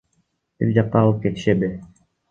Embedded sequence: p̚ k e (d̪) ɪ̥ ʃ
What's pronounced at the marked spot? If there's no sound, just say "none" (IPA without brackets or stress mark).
t̪